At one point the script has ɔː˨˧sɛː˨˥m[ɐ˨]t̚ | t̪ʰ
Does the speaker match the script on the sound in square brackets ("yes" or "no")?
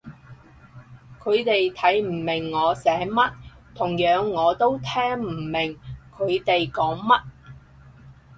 no